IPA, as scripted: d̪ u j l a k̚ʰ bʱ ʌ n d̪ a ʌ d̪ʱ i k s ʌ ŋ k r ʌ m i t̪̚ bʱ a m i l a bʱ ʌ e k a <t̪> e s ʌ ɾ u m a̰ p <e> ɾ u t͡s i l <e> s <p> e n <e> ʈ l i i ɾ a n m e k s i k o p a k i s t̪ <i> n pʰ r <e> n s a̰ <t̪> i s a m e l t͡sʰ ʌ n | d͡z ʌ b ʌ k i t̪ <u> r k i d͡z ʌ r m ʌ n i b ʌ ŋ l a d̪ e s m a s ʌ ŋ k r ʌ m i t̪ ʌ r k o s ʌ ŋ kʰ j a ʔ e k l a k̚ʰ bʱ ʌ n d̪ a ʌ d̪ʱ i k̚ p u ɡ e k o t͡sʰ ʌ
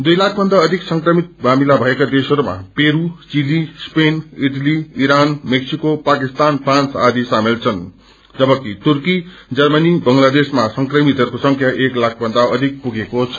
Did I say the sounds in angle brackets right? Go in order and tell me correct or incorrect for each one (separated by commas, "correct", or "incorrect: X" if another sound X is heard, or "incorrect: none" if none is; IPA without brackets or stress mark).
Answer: incorrect: d̪, correct, incorrect: i, correct, incorrect: i, incorrect: a, incorrect: a, incorrect: d̪, correct